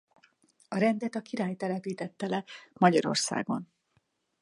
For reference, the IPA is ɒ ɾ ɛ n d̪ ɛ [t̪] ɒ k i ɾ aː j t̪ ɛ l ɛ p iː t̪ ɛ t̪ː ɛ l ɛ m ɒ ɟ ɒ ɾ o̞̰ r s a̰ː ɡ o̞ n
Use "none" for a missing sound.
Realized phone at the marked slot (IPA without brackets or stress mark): t̪